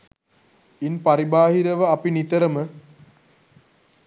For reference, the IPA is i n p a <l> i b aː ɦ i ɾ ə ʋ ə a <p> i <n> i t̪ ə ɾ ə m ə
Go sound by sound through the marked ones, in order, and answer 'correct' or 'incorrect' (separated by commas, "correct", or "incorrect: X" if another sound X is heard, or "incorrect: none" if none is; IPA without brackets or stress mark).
incorrect: ɾ, correct, correct